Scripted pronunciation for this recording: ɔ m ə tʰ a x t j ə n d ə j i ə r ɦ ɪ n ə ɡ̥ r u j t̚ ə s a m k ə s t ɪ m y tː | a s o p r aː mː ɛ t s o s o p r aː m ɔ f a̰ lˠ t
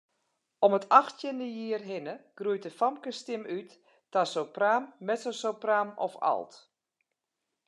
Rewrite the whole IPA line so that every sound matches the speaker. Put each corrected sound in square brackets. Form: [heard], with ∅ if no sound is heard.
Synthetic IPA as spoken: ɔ m ə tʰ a x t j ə n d ə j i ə r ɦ ɪ n ə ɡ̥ r u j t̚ ə [f] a m k ə s t ɪ m y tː | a s o p r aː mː ɛ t s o s o p r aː m ɔ f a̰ lˠ t